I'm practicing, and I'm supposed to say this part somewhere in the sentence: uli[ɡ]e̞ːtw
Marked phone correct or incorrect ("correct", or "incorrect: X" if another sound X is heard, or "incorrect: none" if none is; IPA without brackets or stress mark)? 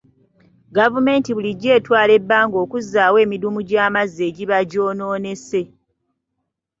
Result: incorrect: ɟ